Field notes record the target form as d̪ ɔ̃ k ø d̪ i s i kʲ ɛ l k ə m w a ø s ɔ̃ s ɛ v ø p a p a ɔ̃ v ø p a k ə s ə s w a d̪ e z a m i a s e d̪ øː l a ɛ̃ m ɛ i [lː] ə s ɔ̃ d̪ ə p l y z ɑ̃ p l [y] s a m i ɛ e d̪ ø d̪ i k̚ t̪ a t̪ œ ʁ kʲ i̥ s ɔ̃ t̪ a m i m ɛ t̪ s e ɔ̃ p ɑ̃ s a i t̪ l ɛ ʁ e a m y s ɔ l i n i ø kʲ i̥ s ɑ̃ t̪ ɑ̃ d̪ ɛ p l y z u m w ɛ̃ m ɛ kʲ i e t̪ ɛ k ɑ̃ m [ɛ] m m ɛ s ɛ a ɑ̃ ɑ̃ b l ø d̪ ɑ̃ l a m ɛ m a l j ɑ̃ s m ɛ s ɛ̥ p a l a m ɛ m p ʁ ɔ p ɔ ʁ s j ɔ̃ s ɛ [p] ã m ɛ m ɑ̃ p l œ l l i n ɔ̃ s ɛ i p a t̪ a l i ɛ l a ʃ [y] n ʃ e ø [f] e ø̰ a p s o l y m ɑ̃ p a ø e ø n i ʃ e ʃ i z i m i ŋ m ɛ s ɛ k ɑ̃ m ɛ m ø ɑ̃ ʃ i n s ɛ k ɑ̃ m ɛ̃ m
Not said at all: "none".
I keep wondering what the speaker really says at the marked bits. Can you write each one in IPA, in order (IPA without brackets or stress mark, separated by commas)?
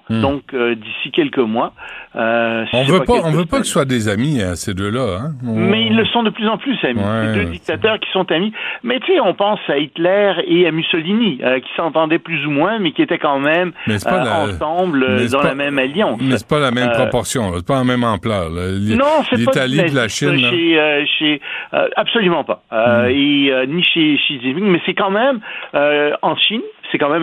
lː, y, ɛ, p, i, ʃ